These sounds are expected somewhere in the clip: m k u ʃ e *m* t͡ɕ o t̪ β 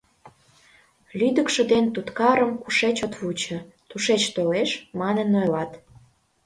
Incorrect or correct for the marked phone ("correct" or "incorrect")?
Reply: incorrect